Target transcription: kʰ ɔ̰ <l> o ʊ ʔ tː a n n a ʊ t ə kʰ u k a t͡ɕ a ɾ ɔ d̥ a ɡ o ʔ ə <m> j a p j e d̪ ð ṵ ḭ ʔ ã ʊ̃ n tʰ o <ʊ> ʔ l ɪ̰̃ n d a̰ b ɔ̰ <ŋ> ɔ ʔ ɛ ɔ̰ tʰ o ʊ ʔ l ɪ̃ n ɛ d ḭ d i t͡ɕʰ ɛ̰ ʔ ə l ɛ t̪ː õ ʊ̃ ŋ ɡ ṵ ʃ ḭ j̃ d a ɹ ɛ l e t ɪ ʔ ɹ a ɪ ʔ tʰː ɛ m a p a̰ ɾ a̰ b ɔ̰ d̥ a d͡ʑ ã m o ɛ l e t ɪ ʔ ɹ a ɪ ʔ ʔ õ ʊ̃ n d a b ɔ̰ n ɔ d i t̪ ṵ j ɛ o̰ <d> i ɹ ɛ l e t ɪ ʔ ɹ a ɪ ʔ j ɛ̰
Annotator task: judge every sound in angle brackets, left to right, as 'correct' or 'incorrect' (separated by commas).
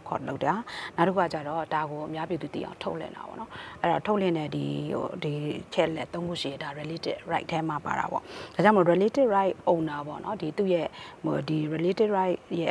correct, correct, correct, incorrect, correct